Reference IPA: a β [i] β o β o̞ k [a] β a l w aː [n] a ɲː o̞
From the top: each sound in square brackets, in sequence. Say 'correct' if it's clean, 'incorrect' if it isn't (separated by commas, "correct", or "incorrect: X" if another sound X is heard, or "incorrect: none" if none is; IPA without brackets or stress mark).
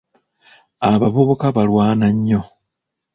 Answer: incorrect: a, correct, correct